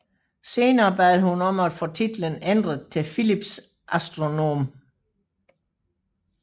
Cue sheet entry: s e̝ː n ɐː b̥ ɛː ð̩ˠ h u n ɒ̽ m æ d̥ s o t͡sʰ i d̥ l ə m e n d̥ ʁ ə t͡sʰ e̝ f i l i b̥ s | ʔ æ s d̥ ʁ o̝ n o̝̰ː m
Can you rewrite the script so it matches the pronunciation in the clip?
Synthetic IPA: s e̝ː n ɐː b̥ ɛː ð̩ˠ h u n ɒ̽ m æ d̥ f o t͡sʰ i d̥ l ə n e n d̥ ʁ ə t͡sʰ e̝ f i l i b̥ s | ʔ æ s d̥ ʁ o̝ n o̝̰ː m